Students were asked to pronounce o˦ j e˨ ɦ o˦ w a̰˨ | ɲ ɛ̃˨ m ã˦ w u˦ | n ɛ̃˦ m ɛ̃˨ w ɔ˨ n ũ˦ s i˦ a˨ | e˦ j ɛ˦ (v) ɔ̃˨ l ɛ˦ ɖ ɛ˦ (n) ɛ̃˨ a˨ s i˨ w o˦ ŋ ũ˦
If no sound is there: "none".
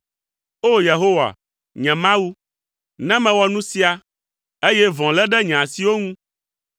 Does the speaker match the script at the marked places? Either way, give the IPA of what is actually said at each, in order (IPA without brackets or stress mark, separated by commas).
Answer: v, ɲ